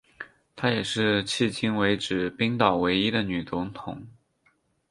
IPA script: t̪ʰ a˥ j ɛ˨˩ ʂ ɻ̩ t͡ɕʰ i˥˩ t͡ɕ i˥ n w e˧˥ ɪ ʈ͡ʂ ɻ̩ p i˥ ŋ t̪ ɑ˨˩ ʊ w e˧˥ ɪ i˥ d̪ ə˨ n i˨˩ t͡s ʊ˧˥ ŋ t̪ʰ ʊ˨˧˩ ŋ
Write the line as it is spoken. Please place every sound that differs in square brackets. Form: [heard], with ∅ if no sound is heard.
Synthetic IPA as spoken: t̪ʰ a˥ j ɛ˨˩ ʂ ɻ̩ t͡ɕʰ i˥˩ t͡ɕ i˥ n w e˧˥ ɪ ʈ͡ʂ ɻ̩ p i˥ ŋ t̪ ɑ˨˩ ʊ w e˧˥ ɪ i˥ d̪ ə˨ n [y˨˩] t͡s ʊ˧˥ ŋ t̪ʰ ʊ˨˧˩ ŋ